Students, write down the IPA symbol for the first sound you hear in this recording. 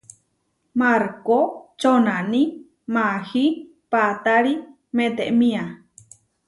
m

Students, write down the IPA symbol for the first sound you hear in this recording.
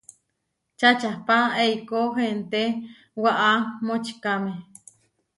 t͡ʃ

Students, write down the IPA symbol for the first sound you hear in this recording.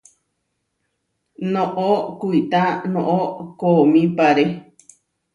n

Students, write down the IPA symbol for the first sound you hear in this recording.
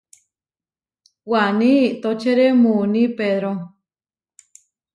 w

